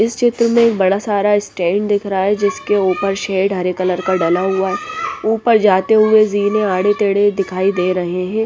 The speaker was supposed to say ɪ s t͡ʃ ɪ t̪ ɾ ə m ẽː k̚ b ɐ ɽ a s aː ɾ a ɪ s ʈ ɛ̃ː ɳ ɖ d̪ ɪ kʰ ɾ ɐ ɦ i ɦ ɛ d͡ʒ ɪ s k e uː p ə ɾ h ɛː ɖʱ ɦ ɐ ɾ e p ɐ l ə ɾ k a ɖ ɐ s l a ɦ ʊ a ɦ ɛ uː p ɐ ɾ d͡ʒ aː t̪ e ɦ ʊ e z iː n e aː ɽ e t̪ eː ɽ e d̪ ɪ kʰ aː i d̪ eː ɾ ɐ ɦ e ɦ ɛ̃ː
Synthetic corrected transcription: ɪ s t͡ʃ ɪ t̪ ɾ ə m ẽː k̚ b ɐ ɽ a s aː ɾ a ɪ s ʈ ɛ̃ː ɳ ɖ d̪ ɪ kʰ ɾ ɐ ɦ a ɦ ɛ d͡ʒ ɪ s k e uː p ə ɾ ʃ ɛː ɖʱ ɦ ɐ ɾ e k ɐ l ə ɾ k a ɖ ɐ l a ɦ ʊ a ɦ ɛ uː p ə ɾ d͡ʒ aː t̪ e ɦ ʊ e z iː n e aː ɽ e t̪ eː ɽ e d̪ ɪ kʰ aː i d̪ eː ɾ ɐ ɦ e ɦ ɛ̃ː

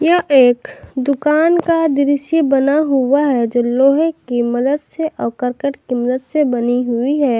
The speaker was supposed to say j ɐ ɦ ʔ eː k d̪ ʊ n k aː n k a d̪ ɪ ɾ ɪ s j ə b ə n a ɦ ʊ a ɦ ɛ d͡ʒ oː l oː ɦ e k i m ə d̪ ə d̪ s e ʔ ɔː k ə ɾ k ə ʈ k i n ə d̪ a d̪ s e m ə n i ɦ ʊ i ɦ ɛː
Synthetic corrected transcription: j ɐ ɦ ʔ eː k d̪ ʊ k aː n k a d̪ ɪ ɾ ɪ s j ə b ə n a ɦ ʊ a ɦ ɛ d͡ʒ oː l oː ɦ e k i m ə d̪ ə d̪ s e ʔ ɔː k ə ɾ k ə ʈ k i m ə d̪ ə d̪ s e b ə n i ɦ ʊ i ɦ ɛː

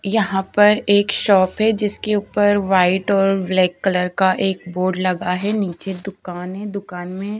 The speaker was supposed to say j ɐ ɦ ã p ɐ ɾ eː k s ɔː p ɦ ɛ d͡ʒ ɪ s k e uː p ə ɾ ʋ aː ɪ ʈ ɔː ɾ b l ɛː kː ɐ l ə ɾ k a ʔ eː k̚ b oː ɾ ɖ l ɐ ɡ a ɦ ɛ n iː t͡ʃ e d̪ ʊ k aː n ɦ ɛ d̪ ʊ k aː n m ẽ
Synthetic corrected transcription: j ɐ ɦ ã p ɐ ɾ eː k ʃ ɔː p ɦ ɛ d͡ʒ ɪ s k e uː p ə ɾ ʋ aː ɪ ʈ ɔː ɾ b l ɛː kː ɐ l ə ɾ k a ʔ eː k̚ b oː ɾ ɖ l ɐ ɡ a ɦ ɛ n iː t͡ʃ e d̪ ʊ k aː n ɦ ɛ d̪ ʊ k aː n m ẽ

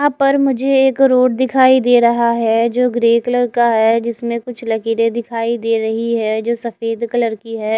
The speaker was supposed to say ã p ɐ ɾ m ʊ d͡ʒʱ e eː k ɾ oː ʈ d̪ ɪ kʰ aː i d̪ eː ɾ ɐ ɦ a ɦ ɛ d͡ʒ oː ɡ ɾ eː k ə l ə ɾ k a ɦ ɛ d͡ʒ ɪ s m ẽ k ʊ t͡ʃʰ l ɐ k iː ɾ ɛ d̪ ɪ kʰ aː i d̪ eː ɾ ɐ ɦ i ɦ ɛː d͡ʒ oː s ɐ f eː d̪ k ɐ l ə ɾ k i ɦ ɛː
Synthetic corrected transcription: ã p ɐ ɾ m ʊ d͡ʒʱ e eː k ɾ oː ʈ d̪ ɪ kʰ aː i d̪ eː ɾ ɐ ɦ a ɦ ɛ d͡ʒ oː ɡ ɾ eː k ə l ə ɾ k a ɦ ɛ d͡ʒ ɪ s m ẽ k ʊ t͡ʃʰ l ɐ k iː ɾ e d̪ ɪ kʰ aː i d̪ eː ɾ ɐ ɦ i ɦ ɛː d͡ʒ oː s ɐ f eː d̪ k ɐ l ə ɾ k i ɦ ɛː

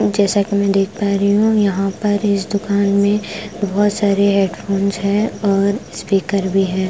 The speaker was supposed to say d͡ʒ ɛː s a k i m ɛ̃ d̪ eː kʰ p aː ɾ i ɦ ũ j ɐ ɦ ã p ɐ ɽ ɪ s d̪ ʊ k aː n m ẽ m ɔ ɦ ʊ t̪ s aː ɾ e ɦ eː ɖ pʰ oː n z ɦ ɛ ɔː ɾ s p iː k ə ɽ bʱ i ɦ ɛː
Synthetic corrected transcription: d͡ʒ ɛː s a k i m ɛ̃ d̪ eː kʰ p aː ɾ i ɦ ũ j ɐ ɦ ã p ɐ ɾ ɪ s d̪ ʊ k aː n m ẽ b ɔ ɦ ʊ t̪ s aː ɾ e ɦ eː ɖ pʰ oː n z ɦ ɛ ɔː ɾ s p iː k ə ɾ bʱ i ɦ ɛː

